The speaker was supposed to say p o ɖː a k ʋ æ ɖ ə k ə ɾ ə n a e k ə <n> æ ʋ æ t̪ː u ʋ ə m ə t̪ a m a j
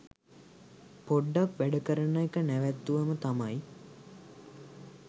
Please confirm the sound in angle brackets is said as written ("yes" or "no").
yes